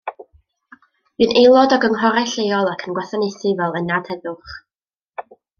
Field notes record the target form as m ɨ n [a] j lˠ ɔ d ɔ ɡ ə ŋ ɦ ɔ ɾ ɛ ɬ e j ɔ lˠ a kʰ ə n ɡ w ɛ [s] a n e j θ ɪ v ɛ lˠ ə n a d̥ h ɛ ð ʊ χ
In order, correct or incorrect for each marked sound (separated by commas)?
incorrect, incorrect